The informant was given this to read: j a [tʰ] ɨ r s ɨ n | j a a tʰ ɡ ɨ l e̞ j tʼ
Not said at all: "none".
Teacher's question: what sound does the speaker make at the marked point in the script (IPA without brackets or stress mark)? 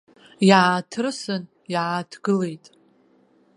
tʰ